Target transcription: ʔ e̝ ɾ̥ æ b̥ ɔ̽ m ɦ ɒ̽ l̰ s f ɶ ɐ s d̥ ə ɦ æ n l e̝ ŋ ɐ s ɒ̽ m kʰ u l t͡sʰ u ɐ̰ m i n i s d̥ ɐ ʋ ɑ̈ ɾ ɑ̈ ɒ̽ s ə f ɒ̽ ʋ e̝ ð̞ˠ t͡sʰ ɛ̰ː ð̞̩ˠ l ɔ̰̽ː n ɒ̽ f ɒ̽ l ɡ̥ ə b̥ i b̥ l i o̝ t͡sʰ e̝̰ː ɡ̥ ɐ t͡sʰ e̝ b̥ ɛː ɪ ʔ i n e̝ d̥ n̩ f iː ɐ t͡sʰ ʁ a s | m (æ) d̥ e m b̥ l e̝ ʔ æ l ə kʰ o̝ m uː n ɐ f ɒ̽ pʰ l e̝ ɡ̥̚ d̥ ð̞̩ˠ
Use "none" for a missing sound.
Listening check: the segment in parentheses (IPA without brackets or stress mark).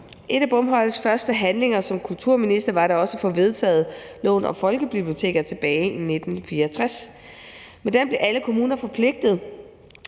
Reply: e